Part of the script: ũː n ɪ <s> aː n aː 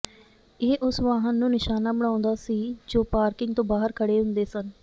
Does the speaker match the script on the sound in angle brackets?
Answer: no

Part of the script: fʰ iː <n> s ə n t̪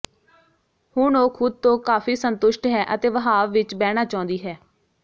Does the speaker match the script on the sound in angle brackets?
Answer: no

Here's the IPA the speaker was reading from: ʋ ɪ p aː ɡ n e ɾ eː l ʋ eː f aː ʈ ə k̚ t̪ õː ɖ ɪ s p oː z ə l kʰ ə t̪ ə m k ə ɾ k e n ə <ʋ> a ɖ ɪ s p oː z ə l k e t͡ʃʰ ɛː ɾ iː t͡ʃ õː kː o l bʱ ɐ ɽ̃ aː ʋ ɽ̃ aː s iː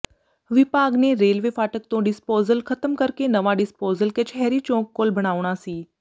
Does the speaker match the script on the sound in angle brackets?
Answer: yes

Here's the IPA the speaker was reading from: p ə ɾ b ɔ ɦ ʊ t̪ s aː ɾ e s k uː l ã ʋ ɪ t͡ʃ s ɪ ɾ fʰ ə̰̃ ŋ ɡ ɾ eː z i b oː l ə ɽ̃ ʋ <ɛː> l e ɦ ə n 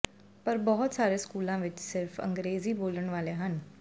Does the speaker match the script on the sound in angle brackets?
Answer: no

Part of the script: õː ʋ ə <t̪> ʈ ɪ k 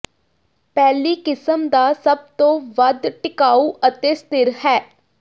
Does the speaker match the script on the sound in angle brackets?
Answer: no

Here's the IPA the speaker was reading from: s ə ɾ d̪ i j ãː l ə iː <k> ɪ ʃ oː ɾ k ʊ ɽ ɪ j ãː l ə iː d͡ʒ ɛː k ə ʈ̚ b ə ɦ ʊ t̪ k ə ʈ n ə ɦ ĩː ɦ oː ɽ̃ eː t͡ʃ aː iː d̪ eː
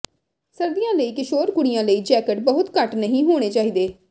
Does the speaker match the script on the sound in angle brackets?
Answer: yes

